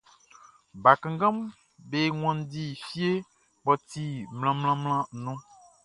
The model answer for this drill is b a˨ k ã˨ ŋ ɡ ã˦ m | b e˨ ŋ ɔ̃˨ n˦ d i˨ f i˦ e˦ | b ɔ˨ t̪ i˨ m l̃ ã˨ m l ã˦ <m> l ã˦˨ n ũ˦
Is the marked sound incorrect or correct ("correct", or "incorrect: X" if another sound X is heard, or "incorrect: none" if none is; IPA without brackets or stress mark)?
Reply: correct